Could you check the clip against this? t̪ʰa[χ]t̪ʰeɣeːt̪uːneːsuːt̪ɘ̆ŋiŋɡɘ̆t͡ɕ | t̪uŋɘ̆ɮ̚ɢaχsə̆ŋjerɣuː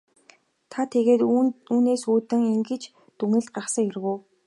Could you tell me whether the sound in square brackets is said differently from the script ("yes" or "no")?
yes